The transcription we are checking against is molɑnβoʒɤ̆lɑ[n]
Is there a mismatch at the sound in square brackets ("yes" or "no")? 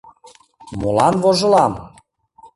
yes